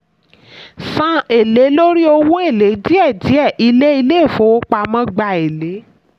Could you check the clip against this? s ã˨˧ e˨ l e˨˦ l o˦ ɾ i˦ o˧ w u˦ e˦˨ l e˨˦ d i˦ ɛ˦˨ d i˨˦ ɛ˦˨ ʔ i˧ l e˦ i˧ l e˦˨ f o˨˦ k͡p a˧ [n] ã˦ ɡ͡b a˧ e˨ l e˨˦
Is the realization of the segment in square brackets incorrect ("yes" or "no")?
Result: yes